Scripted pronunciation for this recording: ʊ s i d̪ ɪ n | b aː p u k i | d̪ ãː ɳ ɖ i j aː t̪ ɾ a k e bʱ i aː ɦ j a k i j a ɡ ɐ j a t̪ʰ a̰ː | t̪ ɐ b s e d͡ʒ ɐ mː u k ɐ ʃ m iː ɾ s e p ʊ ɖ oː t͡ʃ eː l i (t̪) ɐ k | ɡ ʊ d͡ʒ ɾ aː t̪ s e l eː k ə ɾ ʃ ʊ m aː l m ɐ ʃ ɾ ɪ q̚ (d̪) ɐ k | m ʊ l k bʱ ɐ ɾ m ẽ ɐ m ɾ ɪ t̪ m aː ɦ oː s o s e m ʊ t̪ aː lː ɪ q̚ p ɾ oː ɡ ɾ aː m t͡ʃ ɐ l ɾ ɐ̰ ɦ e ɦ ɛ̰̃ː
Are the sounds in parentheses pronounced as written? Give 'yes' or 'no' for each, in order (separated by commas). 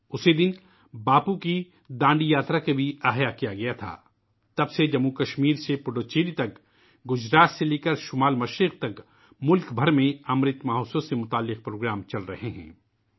yes, no